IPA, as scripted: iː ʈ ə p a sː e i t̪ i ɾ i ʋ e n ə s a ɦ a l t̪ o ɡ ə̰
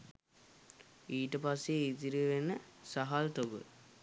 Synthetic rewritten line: iː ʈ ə p a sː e i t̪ i ɾ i ʋ e n ə s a ɦ a l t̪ o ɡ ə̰

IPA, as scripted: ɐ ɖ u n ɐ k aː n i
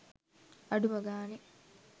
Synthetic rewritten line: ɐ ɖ u m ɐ ɡ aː n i

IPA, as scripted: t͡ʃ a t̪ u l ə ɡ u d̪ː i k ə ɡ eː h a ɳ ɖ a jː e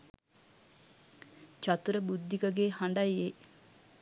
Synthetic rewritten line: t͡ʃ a t̪ u ɾ ə b u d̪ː i k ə ɡ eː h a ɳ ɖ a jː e

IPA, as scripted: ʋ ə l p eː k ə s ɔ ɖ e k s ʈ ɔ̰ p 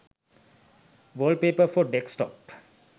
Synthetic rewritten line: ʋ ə l p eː p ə f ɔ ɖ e k s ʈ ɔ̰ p

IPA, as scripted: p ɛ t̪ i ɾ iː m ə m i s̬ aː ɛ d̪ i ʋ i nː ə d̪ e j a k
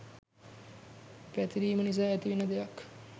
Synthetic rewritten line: p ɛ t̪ i ɾ iː m ə n i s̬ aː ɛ t̪ i ʋ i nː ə d̪ e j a k

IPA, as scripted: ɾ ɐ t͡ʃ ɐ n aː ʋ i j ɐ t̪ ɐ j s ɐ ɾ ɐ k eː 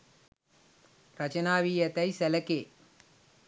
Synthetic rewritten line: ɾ ɐ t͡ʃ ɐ n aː ʋ i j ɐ t̪ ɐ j s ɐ l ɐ k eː

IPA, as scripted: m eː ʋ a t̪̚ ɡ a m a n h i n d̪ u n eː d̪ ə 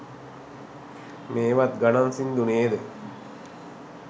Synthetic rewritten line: m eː ʋ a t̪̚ ɡ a n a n s i n d̪ u n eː d̪ ə

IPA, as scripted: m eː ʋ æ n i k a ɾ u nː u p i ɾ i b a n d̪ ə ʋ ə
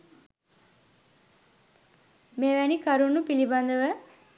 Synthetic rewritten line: m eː ʋ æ n i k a ɾ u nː u p i l i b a n d̪ ə ʋ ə

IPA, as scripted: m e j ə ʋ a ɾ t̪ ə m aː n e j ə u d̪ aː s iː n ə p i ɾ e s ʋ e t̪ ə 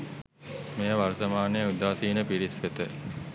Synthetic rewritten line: m e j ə ʋ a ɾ t̪ ə m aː n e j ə u d̪ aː s iː n ə p i ɾ i s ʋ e t̪ ə

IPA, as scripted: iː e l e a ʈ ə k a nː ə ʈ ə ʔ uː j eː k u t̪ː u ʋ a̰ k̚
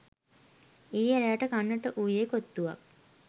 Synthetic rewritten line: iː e ɾ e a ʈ ə k a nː ə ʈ ə ʔ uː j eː k o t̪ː u ʋ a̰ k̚

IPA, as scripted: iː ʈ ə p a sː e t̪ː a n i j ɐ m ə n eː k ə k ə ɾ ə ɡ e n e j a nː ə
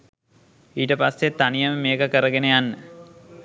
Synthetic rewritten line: iː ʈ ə p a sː e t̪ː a n i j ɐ m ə m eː k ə k ə ɾ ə ɡ e n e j a nː ə

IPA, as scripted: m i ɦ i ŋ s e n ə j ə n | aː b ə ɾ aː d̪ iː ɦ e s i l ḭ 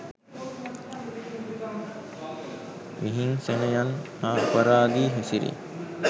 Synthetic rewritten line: m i ɦ i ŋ s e n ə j a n | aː p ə ɾ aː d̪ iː ɦ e s i ɾ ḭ

